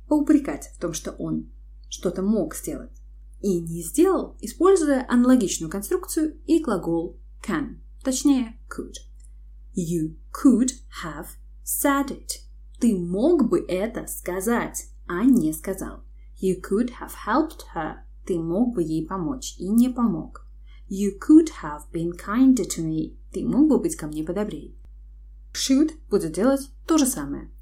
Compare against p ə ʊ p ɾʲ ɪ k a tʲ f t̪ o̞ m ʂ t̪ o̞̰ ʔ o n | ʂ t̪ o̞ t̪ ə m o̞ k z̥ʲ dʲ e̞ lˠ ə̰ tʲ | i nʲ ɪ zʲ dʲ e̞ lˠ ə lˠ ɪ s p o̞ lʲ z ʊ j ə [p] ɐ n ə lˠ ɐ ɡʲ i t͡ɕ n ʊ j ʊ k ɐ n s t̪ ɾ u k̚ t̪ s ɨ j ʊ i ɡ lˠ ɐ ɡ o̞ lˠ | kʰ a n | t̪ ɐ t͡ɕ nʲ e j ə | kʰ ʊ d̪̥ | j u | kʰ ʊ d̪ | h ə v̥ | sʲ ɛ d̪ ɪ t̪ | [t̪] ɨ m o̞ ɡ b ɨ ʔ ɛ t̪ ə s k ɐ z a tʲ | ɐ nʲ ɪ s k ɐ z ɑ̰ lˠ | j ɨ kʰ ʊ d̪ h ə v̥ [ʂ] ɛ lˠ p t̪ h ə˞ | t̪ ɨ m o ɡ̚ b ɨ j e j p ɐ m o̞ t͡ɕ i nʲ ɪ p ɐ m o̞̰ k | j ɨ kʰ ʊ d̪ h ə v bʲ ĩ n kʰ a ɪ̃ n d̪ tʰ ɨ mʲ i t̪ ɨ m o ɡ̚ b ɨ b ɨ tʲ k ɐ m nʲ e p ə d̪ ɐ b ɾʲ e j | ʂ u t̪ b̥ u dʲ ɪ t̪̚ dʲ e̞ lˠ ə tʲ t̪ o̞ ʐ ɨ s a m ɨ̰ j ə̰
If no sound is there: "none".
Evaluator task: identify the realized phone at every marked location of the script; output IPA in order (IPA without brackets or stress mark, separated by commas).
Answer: ʔ, t̪, h